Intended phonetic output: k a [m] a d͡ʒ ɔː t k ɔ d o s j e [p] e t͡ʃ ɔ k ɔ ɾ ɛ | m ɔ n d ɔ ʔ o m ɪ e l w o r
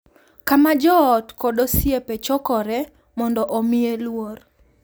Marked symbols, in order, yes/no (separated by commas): yes, yes